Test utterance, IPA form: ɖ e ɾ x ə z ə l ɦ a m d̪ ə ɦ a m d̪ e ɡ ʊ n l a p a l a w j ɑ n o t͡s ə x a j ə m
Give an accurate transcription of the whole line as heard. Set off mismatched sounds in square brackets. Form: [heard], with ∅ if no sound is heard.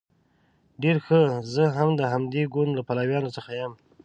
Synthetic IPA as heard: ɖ e ɾ x ə z ə [∅] ɦ a m d̪ ə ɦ a m d̪ e ɡ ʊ n l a p a l a w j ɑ n o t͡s ə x a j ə m

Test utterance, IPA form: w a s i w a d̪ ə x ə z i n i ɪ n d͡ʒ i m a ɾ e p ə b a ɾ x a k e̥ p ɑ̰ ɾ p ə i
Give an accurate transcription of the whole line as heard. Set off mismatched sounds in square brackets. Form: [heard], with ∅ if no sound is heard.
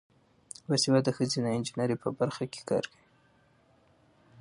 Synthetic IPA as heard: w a s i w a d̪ ə x ə z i n [a] ɪ n d͡ʒ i [n] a ɾ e p ə b a ɾ x a k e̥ [k] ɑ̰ ɾ [k] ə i

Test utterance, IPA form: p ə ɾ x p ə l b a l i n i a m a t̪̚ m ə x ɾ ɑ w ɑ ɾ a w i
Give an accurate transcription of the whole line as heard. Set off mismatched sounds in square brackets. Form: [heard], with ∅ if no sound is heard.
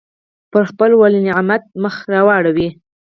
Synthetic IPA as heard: p ə ɾ x p ə l [w] a l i n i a m a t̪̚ m ə x ɾ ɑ w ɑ [ɽ] a w i

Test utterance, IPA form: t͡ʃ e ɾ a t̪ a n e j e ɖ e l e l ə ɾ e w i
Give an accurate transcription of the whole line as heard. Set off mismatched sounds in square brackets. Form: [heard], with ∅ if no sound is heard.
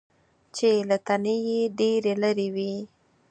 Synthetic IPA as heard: t͡ʃ e [l] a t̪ a n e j e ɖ e [ɾ] e l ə ɾ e w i

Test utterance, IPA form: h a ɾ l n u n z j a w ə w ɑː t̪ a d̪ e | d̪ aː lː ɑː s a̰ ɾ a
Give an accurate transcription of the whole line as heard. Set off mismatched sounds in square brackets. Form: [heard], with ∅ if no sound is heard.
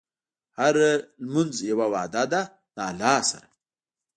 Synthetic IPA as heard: h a ɾ l [m] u n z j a w [a] w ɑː [d̪] a d̪ [a] | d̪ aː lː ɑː s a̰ ɾ a

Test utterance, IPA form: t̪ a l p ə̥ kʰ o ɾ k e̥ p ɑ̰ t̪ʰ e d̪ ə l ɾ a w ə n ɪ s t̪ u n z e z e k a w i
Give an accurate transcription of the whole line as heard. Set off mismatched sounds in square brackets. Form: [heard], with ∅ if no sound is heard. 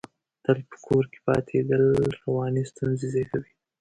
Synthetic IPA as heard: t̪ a l p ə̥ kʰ o ɾ k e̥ p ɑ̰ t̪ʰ e d̪ ə l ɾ a w [ɑ] n [i] s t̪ u n z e z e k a w i

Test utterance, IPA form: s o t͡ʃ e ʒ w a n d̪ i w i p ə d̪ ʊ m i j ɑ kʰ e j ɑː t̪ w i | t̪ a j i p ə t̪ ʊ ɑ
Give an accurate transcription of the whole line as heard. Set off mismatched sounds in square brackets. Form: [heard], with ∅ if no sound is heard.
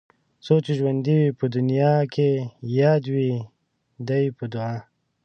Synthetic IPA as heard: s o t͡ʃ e ʒ w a n d̪ i w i p ə d̪ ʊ [n] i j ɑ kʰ e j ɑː [d̪] w i | [d̪] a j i p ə [d̪] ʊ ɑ

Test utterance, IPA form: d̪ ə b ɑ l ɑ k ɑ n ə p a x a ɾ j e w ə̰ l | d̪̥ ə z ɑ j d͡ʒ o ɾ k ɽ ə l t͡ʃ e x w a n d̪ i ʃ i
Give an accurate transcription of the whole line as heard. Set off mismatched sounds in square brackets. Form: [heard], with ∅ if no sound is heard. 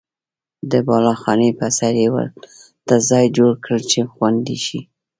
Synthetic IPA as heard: d̪ ə b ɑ l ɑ [x] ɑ n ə p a [s] a ɾ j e w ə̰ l | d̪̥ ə z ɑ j d͡ʒ o [ɽ] k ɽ ə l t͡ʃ e x w a n d̪ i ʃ i

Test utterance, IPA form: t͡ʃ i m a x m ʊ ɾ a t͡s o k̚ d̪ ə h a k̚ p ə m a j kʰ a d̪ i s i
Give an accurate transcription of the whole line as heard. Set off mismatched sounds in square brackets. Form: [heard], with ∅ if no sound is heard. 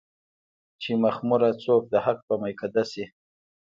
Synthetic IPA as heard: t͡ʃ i m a x m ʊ ɾ a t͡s o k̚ d̪ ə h a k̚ p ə m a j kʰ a d̪ [a] s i

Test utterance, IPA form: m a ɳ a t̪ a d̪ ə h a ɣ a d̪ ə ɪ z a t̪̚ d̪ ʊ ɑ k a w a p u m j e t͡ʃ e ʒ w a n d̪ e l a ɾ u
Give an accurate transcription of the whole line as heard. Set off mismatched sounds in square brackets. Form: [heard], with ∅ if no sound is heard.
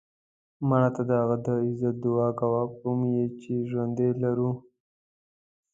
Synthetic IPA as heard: m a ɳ a t̪ a d̪ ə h a ɣ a d̪ ə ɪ z a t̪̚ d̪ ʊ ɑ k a w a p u m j e t͡ʃ e ʒ w a n d̪ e l a ɾ u

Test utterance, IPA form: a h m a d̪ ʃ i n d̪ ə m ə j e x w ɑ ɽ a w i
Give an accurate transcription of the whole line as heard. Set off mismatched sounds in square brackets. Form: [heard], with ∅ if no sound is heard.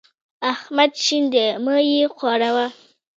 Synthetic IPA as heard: a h m a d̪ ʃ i n d̪ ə m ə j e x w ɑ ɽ a w [a]

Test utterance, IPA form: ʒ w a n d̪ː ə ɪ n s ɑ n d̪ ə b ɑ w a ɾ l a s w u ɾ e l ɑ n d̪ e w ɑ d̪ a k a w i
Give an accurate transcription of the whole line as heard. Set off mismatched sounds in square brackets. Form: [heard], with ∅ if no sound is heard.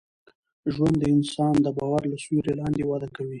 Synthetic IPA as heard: ʒ w a n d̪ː ə ɪ n s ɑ n d̪ ə b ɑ w a ɾ l a s w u ɾ e l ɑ n d̪ e w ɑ d̪ a k a w i

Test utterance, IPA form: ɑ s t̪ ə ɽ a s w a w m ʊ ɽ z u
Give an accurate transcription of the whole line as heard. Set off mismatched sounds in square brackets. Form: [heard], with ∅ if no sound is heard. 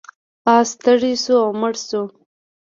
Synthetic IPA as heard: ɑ s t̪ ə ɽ [i] s [u] a w m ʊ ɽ [s] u

